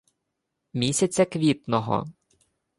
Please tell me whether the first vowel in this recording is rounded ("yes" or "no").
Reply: no